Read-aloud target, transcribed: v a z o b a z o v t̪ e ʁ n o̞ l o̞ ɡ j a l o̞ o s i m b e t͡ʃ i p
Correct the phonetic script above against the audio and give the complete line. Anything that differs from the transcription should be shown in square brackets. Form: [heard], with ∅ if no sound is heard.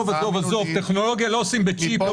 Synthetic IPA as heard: v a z o [v] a z o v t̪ e [χ] n o̞ l o̞ ɡ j a l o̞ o s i m b e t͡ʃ i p